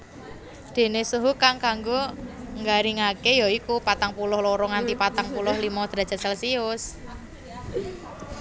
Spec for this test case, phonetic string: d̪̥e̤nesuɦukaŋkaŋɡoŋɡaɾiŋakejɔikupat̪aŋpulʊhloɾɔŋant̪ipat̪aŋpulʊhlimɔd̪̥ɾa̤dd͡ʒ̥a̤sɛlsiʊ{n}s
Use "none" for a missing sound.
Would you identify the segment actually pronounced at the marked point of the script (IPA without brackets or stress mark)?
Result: none